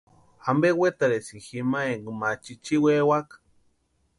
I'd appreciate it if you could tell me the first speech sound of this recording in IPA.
a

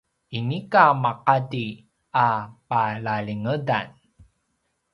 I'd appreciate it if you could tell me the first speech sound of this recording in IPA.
i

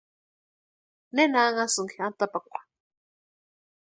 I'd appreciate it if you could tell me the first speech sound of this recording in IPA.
n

